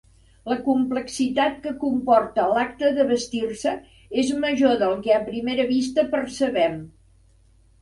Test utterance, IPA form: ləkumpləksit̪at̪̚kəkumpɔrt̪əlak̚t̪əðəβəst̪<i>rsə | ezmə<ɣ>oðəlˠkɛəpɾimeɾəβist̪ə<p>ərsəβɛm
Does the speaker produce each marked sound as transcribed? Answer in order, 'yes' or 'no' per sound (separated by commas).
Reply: yes, no, yes